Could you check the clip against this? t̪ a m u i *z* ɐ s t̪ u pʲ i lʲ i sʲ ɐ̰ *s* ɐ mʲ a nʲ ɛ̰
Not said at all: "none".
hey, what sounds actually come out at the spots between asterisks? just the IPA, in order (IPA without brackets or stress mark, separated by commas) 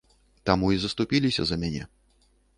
z, z